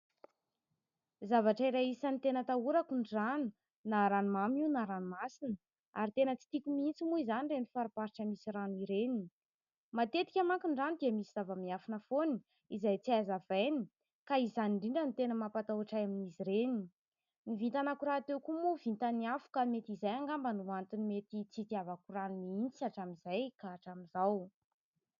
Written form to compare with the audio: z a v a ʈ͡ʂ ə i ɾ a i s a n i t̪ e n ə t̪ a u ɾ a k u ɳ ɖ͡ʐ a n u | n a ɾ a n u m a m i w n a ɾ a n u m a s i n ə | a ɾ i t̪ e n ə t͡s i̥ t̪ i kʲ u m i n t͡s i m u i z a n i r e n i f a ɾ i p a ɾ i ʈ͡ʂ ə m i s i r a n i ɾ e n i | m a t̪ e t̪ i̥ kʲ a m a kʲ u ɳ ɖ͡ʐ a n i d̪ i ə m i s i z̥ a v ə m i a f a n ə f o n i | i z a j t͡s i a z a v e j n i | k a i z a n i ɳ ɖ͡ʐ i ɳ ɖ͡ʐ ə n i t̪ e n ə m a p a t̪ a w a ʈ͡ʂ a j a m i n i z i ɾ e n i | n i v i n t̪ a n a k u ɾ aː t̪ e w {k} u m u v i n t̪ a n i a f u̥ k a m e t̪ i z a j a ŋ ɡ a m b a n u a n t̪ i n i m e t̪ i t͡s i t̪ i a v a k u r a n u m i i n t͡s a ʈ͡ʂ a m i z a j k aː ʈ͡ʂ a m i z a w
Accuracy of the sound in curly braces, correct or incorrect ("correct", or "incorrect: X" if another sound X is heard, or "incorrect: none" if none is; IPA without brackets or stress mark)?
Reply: correct